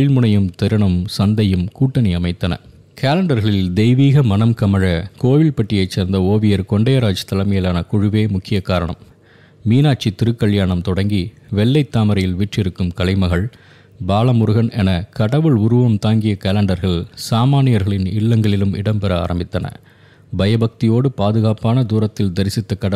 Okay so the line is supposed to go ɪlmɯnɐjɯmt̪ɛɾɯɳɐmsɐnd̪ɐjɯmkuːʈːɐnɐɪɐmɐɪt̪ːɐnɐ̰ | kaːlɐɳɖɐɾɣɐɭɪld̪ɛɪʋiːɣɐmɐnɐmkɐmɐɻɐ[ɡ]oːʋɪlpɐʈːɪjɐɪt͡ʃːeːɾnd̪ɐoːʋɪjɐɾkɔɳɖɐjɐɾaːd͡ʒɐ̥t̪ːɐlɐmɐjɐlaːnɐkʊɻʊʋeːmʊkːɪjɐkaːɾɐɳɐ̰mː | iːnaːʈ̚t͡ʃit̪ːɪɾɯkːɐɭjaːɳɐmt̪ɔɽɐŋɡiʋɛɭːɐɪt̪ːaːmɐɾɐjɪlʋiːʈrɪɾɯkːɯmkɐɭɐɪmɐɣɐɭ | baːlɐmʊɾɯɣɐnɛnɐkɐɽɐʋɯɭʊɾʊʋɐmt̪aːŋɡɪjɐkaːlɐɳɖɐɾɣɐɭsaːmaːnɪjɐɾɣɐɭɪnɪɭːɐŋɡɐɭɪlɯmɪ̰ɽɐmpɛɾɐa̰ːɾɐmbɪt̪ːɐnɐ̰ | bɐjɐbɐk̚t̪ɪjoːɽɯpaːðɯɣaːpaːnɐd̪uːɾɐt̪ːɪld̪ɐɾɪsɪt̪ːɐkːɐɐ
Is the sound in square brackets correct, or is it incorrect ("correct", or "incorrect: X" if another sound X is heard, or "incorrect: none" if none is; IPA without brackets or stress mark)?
incorrect: k